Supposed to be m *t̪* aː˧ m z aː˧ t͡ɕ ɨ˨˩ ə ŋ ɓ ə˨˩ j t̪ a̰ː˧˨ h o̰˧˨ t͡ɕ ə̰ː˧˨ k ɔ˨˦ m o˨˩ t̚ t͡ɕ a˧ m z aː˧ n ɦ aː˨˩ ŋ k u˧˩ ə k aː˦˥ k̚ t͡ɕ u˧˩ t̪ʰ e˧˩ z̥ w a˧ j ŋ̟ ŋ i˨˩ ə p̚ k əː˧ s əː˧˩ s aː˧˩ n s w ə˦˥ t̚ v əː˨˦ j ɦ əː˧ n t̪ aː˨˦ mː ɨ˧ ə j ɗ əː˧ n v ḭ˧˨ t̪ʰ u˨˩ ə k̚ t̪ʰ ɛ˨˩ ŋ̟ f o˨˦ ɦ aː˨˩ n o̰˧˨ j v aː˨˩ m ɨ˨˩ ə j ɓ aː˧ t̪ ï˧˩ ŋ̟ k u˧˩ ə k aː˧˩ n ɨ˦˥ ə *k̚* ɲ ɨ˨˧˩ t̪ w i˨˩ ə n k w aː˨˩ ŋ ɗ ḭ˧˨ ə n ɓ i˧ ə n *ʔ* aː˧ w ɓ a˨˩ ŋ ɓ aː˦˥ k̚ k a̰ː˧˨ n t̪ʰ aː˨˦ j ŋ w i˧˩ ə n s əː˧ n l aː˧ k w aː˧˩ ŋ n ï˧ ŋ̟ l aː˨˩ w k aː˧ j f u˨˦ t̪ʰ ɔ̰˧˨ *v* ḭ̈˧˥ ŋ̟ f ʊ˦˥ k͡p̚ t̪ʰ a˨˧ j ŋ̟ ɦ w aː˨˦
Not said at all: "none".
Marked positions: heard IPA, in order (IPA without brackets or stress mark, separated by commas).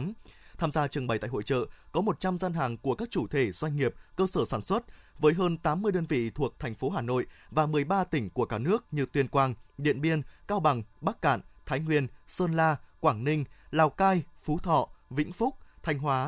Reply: t̪ʰ, k̚, k, v